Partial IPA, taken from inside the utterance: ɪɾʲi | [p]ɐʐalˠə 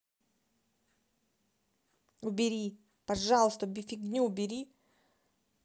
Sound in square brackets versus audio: correct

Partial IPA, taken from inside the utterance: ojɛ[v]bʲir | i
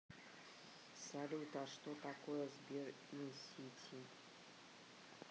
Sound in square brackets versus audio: incorrect: z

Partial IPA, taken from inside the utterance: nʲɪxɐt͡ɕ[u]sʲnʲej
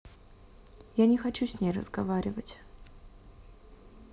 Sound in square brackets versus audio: correct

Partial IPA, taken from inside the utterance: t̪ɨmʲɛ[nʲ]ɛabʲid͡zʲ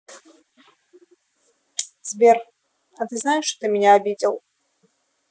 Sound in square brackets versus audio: correct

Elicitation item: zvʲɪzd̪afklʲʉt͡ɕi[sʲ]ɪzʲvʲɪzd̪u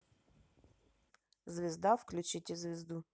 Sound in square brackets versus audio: incorrect: tʲ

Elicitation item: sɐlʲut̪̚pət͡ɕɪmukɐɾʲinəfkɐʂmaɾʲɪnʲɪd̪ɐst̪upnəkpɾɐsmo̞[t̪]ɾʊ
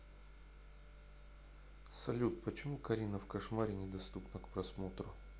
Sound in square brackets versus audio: correct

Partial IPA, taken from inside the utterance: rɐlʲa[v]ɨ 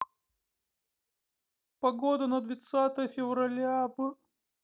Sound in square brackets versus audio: correct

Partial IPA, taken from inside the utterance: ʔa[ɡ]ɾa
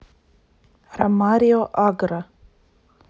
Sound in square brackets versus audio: correct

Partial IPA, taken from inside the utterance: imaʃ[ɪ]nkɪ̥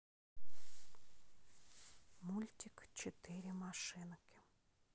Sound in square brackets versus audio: correct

